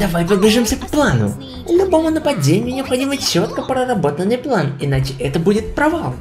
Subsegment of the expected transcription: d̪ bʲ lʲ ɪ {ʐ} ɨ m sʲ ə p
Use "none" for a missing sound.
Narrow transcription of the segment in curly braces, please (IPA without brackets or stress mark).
ʐ